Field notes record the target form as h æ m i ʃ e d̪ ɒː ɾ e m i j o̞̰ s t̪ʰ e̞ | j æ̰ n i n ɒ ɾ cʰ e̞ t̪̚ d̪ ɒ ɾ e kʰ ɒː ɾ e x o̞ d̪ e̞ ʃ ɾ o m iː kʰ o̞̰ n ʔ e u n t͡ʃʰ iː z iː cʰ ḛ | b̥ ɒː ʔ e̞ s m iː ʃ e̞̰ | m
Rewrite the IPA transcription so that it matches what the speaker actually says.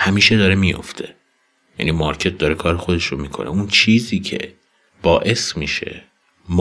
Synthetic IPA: h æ m iː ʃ e d̪ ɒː ɾ e m i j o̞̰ f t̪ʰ e̞ | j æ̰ n i m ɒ ɾ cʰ e̞ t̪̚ d̪ ɒ ɾ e kʰ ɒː ɾ e x o̞ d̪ e̞ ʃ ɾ o m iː kʰ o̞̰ n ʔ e u n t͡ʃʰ iː z iː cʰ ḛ | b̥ ɒː ʔ e̞ s m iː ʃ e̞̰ | m